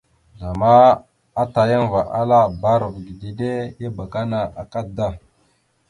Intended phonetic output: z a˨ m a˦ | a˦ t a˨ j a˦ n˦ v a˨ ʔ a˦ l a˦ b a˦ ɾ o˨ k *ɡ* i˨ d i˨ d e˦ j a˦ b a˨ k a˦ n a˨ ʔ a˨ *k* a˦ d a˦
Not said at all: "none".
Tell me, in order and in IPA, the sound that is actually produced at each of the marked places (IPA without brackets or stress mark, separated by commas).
ɡ, k